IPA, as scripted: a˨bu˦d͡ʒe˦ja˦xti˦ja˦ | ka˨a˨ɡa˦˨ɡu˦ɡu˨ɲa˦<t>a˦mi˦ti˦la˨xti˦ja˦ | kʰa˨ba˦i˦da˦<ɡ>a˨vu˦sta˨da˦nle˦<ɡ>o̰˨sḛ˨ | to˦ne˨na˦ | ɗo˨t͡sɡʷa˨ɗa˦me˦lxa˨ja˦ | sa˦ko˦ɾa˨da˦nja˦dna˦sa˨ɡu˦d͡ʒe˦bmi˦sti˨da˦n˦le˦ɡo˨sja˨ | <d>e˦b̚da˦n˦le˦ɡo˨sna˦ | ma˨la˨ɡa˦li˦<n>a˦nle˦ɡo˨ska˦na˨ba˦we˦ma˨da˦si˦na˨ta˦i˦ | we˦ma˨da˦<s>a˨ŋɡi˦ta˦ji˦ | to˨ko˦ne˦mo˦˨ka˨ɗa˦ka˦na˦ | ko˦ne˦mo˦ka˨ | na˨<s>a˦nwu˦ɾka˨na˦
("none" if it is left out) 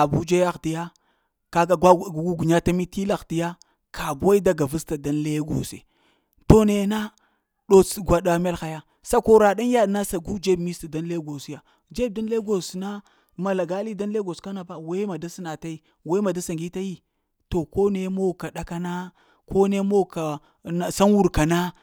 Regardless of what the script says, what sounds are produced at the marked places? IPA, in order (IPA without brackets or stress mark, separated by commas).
t, ɡ, ɡ, d͡ʒ, d, s, s